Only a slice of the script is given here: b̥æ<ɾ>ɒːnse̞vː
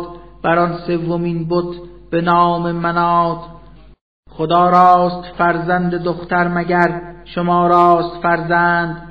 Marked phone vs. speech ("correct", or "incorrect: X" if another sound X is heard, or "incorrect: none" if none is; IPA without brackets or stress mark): correct